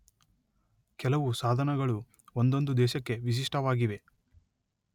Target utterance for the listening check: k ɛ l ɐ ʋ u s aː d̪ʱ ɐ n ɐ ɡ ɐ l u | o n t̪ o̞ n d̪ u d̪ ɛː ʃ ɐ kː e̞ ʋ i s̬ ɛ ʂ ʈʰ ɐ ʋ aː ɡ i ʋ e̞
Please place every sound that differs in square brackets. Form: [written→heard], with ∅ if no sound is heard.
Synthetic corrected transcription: k ɛ l ɐ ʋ u s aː d̪ʱ ɐ n ɐ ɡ ɐ [l→ɭ] u | o n [t̪→d̪] o̞ n d̪ u d̪ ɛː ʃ ɐ kː e̞ ʋ i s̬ [ɛ→i] ʂ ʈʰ ɐ ʋ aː ɡ i ʋ e̞